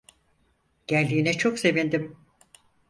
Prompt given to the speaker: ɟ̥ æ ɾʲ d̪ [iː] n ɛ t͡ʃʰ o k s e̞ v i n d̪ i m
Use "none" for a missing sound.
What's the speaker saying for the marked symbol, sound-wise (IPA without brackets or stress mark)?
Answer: iː